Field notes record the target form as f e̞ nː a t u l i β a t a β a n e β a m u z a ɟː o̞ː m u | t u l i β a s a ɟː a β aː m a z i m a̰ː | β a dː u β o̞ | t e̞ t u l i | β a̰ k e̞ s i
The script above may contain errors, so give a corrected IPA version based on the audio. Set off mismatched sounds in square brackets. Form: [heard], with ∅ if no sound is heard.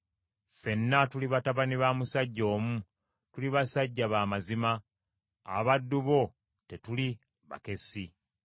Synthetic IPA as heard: f e̞ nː a t u l i β a t a β a n [i] β a m u [s] a ɟː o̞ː m u | t u l i β a s a ɟː a β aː m a z i m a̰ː | β a dː u β o̞ | t e̞ t u l i | β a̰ k e̞ s i